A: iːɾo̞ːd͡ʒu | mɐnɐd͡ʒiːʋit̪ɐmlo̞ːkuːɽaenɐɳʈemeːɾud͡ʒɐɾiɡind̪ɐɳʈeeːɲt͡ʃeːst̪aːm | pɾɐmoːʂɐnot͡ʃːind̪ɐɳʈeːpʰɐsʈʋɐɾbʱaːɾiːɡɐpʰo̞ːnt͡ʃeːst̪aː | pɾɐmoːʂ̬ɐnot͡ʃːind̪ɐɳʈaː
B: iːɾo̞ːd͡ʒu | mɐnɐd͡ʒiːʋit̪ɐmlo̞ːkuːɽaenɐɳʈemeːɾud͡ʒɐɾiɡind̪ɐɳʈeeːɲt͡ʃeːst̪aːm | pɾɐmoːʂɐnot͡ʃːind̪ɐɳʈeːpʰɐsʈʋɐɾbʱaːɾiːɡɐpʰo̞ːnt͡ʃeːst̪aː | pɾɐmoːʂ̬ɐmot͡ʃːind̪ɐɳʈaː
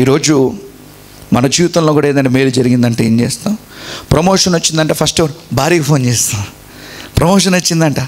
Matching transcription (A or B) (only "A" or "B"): A